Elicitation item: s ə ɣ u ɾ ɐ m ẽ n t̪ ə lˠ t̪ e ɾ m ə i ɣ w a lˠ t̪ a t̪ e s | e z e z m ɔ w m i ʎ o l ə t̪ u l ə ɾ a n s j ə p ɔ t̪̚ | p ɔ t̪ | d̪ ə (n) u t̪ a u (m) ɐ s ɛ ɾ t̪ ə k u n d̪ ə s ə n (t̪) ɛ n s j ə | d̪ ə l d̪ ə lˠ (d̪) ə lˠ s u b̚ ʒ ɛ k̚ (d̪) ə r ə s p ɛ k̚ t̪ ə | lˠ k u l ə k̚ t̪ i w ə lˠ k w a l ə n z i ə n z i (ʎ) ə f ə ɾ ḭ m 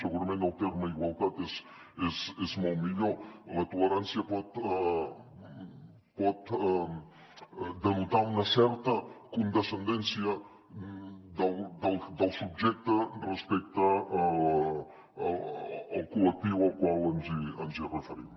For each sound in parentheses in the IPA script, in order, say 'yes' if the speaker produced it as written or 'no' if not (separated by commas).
yes, no, no, yes, no, no